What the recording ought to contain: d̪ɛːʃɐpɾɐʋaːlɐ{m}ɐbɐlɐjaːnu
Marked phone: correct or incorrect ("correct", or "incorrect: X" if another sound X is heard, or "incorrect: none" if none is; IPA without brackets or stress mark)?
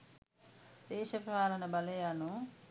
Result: incorrect: n